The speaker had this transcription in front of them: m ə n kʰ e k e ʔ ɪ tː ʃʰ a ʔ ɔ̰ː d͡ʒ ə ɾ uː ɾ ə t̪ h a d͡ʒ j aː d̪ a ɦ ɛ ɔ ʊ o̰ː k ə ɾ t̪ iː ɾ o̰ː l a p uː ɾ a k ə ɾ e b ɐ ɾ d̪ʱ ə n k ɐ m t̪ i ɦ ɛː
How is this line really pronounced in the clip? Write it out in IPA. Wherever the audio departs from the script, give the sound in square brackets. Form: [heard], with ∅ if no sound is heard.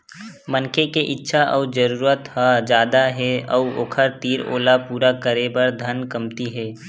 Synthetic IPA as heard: m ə n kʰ e k e ʔ ɪ tː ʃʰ a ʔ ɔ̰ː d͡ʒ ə ɾ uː ɾ ə t̪ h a d͡ʒ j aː d̪ a ɦ ɛ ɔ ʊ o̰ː [kʰ] ə ɾ t̪ iː ɾ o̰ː l a p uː ɾ a k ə ɾ e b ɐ ɾ d̪ʱ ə n k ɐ m t̪ i ɦ ɛː